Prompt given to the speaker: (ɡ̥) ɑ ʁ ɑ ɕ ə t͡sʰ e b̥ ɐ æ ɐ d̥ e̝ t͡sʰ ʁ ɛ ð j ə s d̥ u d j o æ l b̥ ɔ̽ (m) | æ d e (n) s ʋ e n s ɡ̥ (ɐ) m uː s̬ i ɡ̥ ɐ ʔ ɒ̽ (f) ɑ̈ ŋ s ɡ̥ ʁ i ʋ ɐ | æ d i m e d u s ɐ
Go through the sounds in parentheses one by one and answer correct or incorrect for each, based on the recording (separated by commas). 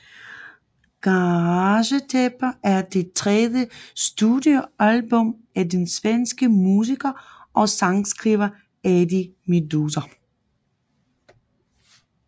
correct, correct, correct, incorrect, incorrect